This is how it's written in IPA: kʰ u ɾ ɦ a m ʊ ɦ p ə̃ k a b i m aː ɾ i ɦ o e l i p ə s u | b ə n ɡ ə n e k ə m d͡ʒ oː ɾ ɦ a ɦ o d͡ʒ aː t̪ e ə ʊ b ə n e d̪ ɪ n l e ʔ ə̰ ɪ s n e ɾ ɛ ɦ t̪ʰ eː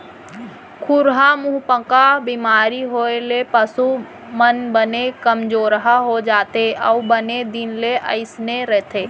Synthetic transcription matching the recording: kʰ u ɾ ɦ a m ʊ ɦ p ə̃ k a b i m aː ɾ i ɦ o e l e p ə s u | m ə n b ə n e k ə m d͡ʒ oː ɾ ɦ a ɦ o d͡ʒ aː t̪ e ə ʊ b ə n e d̪ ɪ n l e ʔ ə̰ ɪ s n e ɾ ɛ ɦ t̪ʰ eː